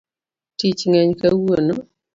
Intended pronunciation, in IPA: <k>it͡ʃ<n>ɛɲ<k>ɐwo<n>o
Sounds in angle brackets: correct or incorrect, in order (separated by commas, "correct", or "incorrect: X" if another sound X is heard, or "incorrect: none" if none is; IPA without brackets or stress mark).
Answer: incorrect: t, incorrect: ŋ, correct, correct